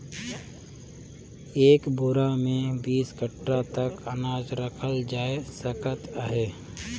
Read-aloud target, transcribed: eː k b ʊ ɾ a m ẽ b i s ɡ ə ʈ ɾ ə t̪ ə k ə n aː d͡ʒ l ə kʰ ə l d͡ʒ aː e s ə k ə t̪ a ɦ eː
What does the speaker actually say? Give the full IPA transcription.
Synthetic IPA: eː k b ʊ ɾ a m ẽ b iː s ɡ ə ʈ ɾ a t̪ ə k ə n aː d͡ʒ ɾ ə kʰ ə l d͡ʒ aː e s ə k ə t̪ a ɦ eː